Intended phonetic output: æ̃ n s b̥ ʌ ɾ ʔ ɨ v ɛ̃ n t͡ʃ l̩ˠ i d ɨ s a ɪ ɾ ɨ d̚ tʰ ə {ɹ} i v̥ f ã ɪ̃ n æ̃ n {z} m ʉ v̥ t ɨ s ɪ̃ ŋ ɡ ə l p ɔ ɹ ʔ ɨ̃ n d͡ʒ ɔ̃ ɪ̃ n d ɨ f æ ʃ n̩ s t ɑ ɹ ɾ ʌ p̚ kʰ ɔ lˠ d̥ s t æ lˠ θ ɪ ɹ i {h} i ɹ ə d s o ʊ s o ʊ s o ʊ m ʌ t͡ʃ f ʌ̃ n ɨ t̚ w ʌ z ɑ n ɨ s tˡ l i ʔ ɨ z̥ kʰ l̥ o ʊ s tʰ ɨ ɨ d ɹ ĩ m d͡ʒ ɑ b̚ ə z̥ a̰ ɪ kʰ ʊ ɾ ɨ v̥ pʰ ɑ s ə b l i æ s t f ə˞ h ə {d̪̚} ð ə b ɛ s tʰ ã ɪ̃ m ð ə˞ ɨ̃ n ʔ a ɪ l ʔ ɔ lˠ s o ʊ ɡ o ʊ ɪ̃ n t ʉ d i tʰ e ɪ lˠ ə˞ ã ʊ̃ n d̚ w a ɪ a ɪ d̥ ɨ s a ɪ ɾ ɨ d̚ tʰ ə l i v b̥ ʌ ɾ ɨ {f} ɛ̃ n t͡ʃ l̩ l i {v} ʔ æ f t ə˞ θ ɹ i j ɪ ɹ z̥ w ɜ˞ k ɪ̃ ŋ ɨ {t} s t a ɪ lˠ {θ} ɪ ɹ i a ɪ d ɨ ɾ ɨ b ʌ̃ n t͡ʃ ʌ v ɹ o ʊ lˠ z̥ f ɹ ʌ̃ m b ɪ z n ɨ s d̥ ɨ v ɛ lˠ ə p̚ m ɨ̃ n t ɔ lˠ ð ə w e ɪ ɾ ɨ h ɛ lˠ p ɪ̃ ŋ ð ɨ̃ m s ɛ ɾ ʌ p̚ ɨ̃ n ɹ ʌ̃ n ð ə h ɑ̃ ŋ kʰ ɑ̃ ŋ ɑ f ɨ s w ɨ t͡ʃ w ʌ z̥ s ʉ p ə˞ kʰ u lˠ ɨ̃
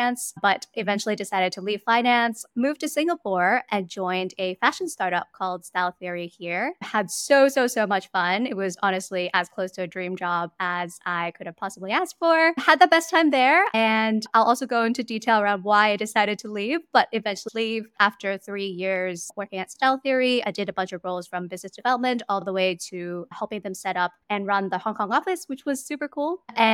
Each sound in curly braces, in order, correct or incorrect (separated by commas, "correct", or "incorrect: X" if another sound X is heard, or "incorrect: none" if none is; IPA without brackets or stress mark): incorrect: l, incorrect: s, correct, correct, incorrect: v, correct, correct, correct